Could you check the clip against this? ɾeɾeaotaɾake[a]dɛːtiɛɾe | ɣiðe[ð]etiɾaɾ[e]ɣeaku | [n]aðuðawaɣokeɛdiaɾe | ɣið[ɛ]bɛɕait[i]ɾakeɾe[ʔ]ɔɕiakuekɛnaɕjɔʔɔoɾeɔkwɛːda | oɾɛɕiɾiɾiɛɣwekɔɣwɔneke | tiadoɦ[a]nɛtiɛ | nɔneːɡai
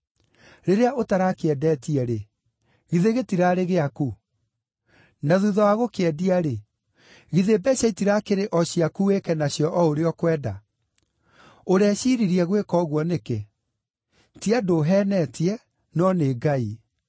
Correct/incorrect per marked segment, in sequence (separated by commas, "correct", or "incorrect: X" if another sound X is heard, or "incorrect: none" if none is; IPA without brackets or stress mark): incorrect: ɛ, incorrect: ɣ, correct, correct, incorrect: e, correct, correct, incorrect: ɛ